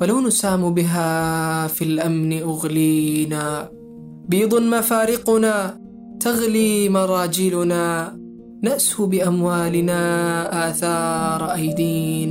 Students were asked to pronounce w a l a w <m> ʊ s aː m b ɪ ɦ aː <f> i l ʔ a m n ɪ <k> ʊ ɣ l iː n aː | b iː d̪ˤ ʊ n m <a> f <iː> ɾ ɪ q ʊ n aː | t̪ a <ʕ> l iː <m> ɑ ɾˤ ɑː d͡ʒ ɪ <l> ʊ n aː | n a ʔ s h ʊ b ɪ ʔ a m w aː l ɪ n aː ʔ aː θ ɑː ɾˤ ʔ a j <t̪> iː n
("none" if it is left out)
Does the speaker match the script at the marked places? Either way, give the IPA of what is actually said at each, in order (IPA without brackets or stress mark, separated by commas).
n, f, ʔ, a, aː, ɣ, m, l, d̪